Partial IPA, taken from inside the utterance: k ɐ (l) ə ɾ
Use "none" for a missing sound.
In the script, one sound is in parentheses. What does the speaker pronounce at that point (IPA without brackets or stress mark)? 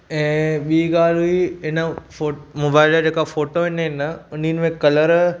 l